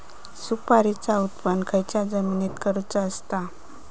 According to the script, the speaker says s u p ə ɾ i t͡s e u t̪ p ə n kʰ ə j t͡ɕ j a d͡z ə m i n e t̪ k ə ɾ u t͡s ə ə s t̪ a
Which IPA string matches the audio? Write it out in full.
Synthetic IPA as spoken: s u p a ɾ i t͡s a u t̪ p ə n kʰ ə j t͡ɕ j a d͡z ə m i n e t̪ k ə ɾ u t͡s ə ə s t̪ a